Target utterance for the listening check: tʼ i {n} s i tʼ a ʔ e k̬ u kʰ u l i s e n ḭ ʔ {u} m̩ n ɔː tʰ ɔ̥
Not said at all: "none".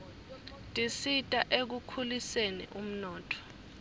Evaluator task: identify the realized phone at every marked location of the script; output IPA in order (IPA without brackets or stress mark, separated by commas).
none, u